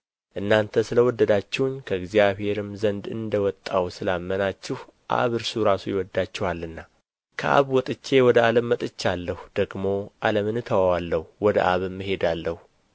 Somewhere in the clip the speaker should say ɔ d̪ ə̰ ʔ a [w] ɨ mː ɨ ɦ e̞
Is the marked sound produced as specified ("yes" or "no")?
no